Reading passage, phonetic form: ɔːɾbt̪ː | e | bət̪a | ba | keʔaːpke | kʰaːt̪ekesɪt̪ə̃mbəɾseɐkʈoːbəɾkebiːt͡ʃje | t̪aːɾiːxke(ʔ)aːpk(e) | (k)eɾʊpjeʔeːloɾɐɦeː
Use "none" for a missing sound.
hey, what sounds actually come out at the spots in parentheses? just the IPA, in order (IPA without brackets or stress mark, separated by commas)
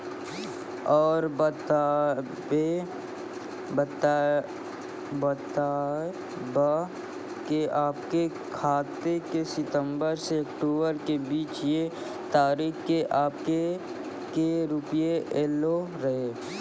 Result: ʔ, e, k